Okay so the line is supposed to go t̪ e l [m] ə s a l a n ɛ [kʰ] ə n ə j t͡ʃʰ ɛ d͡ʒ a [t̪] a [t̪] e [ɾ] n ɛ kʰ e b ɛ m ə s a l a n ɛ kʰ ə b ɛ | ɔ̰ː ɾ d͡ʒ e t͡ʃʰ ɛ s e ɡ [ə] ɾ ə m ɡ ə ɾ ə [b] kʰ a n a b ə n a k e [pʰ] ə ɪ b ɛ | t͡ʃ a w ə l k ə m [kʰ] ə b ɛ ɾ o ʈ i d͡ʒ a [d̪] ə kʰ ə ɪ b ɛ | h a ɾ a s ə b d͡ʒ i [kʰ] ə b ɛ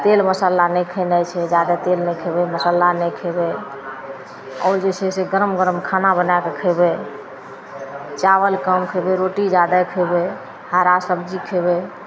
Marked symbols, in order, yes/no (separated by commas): yes, yes, no, yes, no, yes, no, no, yes, yes, yes